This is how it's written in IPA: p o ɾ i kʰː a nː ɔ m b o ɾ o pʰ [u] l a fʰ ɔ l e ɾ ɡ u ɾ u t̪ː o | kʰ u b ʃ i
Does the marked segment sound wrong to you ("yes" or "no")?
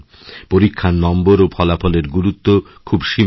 yes